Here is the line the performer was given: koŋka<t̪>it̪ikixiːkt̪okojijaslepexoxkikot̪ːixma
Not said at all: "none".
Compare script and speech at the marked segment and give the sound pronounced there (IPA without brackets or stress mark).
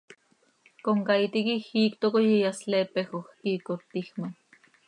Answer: none